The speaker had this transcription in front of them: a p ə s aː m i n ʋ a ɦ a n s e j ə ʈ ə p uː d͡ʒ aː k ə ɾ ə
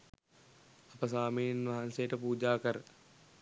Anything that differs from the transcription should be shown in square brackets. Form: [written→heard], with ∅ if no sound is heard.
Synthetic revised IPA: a p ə s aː m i n ʋ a ɦ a n s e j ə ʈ ə p uː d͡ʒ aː k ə ɾ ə